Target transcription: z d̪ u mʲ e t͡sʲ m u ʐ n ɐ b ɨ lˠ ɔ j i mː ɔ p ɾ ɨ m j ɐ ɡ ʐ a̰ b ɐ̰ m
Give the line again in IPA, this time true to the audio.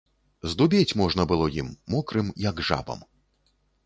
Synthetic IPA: z d̪ u bʲ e t͡sʲ m ɔ ʐ n ɐ b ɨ lˠ ɔ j i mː ɔ k ɾ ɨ m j ɐ ɡ ʐ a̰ b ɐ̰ m